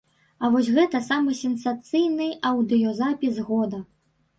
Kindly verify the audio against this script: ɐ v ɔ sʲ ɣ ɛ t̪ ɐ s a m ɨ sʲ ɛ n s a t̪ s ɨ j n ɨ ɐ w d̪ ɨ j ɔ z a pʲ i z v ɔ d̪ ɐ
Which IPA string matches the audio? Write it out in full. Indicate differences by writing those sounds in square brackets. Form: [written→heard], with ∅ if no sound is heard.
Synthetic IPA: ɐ v ɔ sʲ ɣ ɛ t̪ ɐ s a m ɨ sʲ ɛ n s a t̪ s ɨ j n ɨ ɐ w d̪ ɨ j ɔ z a pʲ i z [v→ɣ] ɔ d̪ ɐ